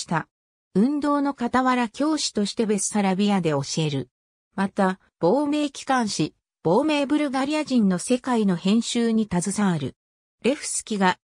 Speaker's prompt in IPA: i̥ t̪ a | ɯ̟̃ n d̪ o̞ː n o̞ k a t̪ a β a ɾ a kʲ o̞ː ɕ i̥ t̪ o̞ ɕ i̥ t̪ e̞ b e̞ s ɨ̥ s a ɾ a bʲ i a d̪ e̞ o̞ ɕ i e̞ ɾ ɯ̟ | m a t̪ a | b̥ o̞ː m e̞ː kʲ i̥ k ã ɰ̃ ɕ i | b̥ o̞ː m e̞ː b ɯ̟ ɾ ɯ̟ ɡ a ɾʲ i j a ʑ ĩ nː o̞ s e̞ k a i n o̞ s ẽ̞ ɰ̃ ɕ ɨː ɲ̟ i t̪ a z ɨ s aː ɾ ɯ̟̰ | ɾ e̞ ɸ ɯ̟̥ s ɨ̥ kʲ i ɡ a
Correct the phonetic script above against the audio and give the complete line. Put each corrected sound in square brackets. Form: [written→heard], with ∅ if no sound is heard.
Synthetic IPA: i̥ t̪ a | ɯ̟̃ n d̪ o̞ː n o̞ k a t̪ a β a ɾ a kʲ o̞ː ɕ i̥ t̪ o̞ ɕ i̥ t̪ e̞ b e̞ s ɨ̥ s a ɾ a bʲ i a d̪ e̞ o̞ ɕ i e̞ ɾ ɯ̟ | m a t̪ a | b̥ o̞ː m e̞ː kʲ i̥ k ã ɰ̃ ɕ i | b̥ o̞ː m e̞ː b ɯ̟ ɾ ɯ̟ ɡ a ɾʲ i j a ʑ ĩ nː o̞ s e̞ k a i n o̞ [s→h] ẽ̞ ɰ̃ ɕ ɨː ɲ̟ i t̪ a z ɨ s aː ɾ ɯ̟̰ | ɾ e̞ ɸ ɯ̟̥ s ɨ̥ kʲ i ɡ a